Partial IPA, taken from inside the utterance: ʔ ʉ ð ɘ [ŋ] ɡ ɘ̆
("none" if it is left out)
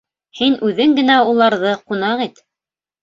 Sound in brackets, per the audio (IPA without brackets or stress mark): ŋ